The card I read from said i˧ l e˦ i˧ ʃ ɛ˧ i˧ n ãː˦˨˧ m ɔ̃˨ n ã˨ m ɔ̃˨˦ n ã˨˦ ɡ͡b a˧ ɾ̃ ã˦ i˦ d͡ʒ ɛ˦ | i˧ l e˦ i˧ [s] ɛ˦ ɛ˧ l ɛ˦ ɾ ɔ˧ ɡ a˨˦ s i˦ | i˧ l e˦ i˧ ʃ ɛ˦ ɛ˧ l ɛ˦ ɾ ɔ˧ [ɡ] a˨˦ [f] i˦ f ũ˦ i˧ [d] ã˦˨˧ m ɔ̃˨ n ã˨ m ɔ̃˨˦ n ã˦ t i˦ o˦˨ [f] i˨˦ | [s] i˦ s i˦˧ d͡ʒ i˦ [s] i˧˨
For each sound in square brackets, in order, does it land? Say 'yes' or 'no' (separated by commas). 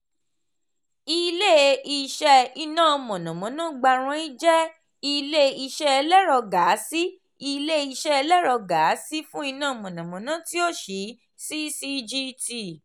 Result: no, yes, no, no, no, yes, no